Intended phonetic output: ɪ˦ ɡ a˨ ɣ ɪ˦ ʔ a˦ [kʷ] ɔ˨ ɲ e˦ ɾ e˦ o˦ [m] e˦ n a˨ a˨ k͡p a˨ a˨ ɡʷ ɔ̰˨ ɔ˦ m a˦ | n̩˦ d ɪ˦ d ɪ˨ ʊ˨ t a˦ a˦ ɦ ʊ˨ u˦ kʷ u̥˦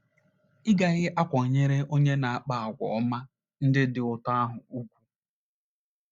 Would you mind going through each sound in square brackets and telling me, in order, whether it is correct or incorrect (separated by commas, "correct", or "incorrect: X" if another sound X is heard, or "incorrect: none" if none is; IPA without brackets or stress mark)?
correct, incorrect: ɲ